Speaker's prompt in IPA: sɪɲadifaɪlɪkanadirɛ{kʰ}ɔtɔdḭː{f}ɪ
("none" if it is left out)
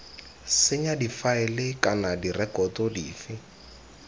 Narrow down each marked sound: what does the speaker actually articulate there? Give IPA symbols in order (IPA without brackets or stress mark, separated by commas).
k, f